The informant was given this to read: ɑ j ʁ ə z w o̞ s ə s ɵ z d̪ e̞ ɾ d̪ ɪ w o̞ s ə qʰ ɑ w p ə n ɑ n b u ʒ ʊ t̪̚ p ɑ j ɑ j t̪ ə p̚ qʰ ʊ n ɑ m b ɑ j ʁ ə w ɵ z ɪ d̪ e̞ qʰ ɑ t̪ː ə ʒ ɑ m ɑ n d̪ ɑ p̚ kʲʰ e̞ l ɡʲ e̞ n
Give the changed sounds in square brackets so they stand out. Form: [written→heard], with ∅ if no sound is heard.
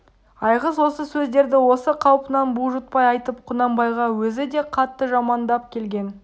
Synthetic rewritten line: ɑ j ʁ ə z w o̞ s ə s ɵ z d̪ e̞ ɾ d̪ ɪ w o̞ s ə qʰ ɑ w p ə n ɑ n b u ʒ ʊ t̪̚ p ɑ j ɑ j t̪ ə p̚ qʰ ʊ n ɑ m b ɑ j ʁ [ə→ɑ] w ɵ z ɪ d̪ e̞ qʰ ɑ t̪ː ə ʒ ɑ m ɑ n d̪ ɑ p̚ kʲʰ e̞ l ɡʲ e̞ n

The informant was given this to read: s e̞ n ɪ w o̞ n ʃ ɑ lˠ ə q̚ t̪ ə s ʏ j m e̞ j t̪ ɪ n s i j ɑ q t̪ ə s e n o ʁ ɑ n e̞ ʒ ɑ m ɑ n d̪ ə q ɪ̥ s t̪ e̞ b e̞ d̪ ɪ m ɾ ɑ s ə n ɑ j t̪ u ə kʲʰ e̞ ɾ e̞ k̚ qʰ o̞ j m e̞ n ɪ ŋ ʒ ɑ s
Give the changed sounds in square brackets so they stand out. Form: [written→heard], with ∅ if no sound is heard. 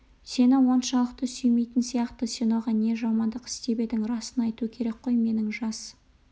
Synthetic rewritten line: s e̞ n ɪ w o̞ n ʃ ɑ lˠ ə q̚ t̪ ə s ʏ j m e̞ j t̪ ɪ n s i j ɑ q t̪ ə s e n o ʁ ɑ n e̞ ʒ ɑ m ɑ n d̪ ə q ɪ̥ s t̪ e̞ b e̞ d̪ ɪ [m→ŋ] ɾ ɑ s ə n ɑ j t̪ u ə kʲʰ e̞ ɾ e̞ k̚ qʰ o̞ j m e̞ n ɪ ŋ ʒ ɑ s

